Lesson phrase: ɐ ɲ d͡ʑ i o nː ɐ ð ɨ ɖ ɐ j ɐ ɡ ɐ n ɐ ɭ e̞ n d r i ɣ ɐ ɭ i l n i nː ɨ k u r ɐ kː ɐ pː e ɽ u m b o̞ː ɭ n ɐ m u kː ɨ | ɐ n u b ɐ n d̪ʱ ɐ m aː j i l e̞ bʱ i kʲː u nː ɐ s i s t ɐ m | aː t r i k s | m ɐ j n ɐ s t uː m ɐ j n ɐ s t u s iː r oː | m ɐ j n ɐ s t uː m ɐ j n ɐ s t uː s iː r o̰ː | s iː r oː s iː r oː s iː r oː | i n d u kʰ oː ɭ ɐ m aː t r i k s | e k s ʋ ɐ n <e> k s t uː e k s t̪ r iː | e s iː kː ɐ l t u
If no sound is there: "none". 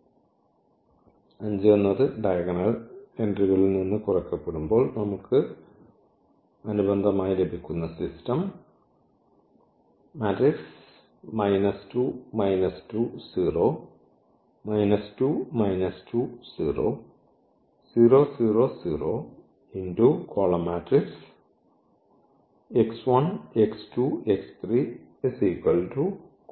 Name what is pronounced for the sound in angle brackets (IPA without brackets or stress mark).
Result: e